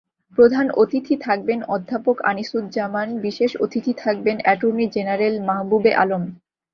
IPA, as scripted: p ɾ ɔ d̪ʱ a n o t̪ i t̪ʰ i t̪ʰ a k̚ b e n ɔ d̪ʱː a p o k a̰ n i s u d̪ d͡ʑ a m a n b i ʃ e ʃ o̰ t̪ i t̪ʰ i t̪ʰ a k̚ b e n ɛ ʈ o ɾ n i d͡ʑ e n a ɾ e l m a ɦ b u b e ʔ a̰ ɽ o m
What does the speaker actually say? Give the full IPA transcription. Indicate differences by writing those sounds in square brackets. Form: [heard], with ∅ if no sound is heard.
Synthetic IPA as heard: p ɾ [o] d̪ʱ a n o t̪ i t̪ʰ i t̪ʰ a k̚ b e n ɔ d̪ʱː a p o k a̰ n i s u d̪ d͡ʑ a m a n b i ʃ e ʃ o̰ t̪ i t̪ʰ i t̪ʰ a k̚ b e n ɛ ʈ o ɾ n i d͡ʑ e n a ɾ e l m a ɦ b u b e ʔ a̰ [l] o m